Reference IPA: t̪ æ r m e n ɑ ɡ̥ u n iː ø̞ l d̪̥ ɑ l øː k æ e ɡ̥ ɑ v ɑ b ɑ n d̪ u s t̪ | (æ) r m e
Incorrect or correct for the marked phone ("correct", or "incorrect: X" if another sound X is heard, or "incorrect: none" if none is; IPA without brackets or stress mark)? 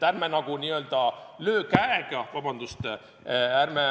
correct